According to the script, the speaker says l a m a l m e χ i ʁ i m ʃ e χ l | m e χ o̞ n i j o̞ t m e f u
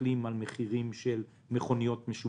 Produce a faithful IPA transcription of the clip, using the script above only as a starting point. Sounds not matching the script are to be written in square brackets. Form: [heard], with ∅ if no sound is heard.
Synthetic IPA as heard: l [i] m a l m e χ i ʁ i m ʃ e [∅] l | m e χ o̞ n i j o̞ t m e [ʃ] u

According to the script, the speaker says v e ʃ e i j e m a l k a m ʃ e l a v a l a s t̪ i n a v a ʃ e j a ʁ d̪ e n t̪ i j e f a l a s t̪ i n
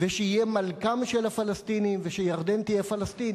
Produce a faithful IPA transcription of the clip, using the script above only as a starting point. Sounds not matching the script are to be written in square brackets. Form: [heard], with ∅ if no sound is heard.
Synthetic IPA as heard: v e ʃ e i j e m a l k a m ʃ e l a [f] a l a s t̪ i n [i] v [e] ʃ e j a ʁ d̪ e n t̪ i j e f a l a s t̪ i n

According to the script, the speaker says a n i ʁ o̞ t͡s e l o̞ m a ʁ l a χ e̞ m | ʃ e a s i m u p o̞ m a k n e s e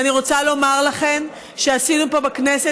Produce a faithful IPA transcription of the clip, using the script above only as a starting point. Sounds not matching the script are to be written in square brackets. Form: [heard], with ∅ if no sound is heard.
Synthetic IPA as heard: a n i ʁ o̞ t͡s [a] l o̞ m a ʁ l a χ e̞ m | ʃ e a s i [n] u p o̞ [b] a k n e s e

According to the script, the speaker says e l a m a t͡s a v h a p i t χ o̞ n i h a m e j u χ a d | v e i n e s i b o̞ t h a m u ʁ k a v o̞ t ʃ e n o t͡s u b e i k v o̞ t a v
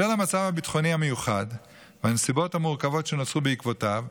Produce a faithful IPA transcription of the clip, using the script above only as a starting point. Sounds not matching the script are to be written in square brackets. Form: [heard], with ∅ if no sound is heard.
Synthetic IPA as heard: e l a m a t͡s a v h a [b] i t χ o̞ n i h a m e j u χ a d | v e [a] n e s i b o̞ t h a m u ʁ k a v o̞ t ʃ e n o t͡s u b e i k v o̞ t a v

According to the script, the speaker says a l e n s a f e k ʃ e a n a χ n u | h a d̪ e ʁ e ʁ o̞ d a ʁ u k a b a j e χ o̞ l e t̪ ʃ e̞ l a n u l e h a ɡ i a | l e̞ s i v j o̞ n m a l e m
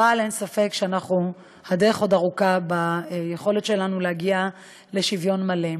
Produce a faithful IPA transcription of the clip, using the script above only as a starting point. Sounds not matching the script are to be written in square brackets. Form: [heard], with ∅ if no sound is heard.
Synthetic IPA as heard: a l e n s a f e k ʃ e a n a χ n u | h a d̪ e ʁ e [χ] o̞ d a ʁ u k a b a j e χ o̞ l e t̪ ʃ e̞ l a n u l e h a ɡ i a | l e̞ [ʃ] i v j o̞ n m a l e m

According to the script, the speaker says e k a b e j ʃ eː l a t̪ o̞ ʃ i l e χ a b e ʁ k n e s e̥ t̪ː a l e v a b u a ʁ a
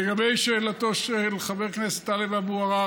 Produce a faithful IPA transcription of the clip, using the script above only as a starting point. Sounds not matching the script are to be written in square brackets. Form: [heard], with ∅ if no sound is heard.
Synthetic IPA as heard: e [ɡ] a b e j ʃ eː l a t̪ o̞ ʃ [e] l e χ a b e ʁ k n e s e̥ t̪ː a l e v a b u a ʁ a

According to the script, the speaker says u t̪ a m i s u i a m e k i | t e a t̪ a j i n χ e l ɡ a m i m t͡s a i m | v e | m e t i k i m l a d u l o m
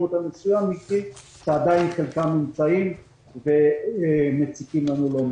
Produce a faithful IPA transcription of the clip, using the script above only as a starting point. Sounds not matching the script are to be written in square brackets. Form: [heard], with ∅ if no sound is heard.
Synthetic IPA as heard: u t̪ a m [e] s u [j] a m [i] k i | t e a [d̪] a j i n χ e l [k] a m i m t͡s a i m | v e | m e [t͡s] i k i m l a [n] u l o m

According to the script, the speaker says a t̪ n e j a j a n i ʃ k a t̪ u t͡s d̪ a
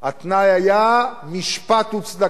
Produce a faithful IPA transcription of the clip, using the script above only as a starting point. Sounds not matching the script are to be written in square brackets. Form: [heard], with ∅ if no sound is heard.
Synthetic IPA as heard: a t̪ n [a] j a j a [m] i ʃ [p] a t̪ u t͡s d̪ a

